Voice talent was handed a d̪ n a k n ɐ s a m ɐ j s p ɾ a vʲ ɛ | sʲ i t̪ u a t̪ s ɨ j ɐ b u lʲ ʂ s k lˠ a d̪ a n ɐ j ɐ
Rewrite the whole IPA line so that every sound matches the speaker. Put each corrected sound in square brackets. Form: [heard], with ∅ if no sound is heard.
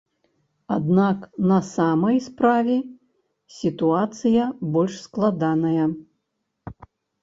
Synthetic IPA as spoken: a d̪ n a k n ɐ s a m ɐ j s p ɾ a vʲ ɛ | sʲ i t̪ u a t̪ s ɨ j ɐ b [ɔ] lʲ ʂ s k lˠ a d̪ a n ɐ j ɐ